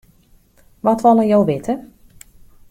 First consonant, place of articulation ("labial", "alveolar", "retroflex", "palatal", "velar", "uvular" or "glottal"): labial